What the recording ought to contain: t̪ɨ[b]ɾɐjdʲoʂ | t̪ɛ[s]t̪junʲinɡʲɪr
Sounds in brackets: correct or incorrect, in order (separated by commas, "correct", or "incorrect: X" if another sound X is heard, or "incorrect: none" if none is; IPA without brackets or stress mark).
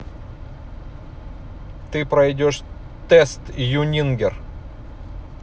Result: incorrect: p, correct